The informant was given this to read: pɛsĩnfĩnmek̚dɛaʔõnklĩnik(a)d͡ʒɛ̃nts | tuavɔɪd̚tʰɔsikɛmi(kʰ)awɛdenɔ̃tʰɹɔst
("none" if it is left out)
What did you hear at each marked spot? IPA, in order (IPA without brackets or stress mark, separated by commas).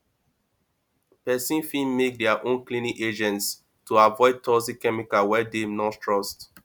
e, k